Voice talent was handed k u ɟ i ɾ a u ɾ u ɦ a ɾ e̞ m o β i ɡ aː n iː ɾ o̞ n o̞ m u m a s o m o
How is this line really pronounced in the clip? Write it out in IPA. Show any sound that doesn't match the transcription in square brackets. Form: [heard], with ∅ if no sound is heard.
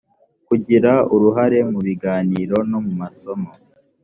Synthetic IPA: k u ɟ i ɾ a u ɾ u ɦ a ɾ e̞ m [u] β i ɡ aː n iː ɾ o̞ n o̞ m u m a s o m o